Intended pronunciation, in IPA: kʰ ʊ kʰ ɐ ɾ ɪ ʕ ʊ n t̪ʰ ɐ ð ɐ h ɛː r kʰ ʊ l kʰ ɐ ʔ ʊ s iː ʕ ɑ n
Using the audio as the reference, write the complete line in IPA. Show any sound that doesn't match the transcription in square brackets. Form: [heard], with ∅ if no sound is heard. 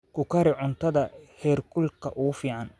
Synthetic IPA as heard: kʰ ʊ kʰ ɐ ɾ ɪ ʕ ʊ n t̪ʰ ɐ ð ɐ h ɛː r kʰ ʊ l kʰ ɐ ʔ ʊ [f] iː ʕ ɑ n